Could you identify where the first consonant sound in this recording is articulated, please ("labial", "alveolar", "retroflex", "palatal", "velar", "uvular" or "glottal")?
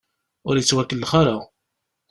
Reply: alveolar